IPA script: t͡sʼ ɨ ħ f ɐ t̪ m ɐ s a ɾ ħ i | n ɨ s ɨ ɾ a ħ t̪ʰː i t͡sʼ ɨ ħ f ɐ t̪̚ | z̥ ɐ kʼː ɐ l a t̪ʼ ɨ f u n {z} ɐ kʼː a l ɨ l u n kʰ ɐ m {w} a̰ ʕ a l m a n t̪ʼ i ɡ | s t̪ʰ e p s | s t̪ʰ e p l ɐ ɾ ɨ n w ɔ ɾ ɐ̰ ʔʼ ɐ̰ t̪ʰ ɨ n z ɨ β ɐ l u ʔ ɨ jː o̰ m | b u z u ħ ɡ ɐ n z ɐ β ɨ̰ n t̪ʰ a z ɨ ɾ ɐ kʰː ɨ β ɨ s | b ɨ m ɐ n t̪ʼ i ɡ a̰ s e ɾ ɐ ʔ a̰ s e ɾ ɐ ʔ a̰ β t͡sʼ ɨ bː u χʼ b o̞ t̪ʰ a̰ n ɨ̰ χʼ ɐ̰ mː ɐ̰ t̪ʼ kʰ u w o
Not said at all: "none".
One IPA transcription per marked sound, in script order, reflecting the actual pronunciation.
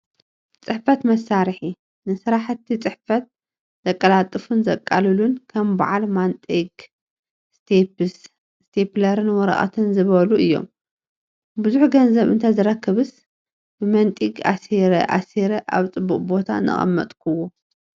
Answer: z, b

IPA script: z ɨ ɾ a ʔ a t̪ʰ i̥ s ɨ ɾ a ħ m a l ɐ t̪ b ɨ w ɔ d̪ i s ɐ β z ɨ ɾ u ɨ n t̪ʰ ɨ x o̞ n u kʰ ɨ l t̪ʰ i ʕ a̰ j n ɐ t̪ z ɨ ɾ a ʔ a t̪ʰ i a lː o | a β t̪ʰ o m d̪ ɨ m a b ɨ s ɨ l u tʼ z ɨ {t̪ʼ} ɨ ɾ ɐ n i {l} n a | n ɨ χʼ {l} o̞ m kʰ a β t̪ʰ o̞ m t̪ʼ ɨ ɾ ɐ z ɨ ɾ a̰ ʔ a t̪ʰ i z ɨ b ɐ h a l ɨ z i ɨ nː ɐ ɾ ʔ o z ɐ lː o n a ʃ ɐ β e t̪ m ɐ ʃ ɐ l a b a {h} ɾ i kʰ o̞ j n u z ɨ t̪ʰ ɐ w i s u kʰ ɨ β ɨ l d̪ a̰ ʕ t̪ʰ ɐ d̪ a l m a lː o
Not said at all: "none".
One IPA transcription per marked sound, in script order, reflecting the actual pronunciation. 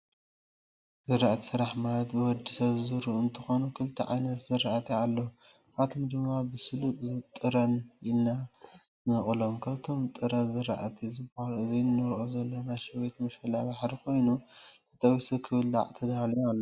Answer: t̪ʼ, l, l, ħ

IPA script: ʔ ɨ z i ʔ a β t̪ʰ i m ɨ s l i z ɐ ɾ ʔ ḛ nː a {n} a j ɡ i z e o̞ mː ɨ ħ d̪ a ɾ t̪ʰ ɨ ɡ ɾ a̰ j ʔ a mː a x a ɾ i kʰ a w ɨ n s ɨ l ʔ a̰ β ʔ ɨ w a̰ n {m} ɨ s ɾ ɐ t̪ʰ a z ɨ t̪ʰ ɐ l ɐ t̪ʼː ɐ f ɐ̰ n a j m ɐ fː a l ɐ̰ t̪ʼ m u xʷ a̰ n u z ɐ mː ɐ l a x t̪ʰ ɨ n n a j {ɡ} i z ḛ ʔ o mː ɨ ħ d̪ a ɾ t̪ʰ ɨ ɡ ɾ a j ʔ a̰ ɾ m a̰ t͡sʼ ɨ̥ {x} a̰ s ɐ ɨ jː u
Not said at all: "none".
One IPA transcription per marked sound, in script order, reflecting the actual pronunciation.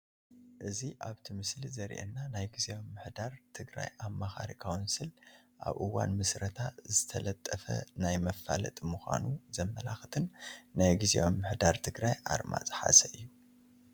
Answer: n, m, ɡ, ħ

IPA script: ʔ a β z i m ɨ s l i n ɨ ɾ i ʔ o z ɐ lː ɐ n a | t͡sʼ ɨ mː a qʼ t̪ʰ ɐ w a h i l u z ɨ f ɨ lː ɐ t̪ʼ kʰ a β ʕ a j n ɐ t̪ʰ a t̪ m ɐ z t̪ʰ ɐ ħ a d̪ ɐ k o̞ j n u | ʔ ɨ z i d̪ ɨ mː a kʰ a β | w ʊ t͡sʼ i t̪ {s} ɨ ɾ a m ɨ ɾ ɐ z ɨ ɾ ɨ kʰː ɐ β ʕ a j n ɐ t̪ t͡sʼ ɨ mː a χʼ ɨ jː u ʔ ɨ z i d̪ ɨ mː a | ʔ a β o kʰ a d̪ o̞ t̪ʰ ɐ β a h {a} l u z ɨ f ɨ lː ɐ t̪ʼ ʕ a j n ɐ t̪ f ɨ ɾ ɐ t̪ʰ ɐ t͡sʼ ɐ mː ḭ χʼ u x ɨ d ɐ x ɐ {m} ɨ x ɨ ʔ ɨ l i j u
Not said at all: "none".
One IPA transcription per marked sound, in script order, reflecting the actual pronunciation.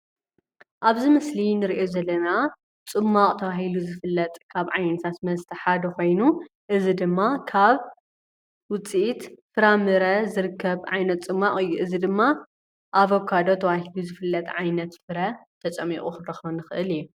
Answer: f, i, n

